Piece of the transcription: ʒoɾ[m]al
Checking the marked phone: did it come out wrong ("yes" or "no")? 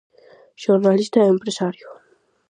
yes